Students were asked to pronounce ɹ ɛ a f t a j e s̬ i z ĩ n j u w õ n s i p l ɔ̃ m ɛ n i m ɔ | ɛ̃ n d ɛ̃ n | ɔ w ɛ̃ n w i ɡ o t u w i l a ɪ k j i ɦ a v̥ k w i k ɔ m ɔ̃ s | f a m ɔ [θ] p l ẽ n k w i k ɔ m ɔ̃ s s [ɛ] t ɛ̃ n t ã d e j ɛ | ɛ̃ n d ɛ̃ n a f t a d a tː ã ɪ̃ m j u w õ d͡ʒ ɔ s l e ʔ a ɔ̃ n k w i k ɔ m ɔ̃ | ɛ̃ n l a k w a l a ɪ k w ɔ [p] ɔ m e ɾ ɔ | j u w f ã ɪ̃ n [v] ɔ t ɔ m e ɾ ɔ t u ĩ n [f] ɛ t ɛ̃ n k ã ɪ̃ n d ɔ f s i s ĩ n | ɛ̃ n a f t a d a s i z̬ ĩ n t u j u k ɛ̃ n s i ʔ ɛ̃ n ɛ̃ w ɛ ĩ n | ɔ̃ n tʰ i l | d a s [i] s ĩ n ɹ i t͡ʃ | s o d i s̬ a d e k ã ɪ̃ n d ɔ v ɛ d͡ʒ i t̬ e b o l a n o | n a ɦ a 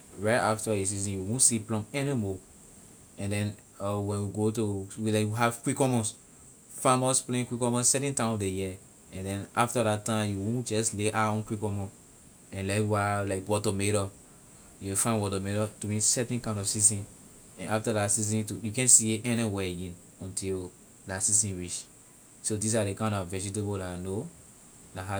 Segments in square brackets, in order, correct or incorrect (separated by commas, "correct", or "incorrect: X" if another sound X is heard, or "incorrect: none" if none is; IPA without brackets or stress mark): incorrect: s, correct, incorrect: t, incorrect: w, incorrect: s, correct